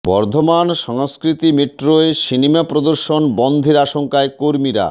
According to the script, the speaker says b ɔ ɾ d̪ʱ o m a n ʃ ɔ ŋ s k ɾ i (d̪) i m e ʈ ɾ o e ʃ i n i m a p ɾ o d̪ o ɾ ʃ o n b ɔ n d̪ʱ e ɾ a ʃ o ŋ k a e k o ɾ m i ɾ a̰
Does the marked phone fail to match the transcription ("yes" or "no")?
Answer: yes